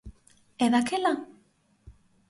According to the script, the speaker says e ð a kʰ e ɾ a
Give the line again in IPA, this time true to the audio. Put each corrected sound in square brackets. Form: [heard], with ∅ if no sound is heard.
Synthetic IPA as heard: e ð a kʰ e [l] a